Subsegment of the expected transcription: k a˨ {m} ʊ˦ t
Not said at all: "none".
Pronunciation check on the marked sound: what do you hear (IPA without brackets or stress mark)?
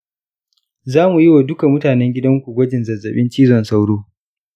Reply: m